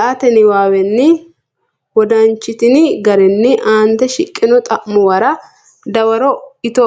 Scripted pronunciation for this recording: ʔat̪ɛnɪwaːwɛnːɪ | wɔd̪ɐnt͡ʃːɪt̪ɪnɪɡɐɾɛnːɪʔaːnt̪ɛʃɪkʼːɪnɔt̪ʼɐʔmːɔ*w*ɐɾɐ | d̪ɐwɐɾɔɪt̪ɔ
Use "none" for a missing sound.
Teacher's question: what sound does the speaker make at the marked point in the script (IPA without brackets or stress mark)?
w